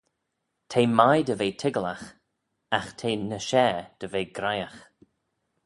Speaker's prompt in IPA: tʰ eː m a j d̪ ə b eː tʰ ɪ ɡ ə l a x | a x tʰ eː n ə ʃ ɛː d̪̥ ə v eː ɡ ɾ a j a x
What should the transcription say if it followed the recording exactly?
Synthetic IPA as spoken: tʰ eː m a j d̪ ə v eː tʰ ɪ ɡ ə l a x | a x tʰ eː n ə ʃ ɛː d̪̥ ə v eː ɡ ɾ a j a x